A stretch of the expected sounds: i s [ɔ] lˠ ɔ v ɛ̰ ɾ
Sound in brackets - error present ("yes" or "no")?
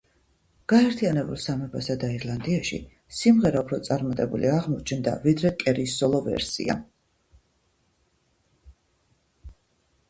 no